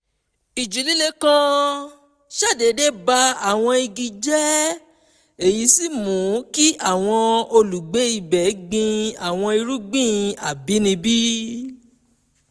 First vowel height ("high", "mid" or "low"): high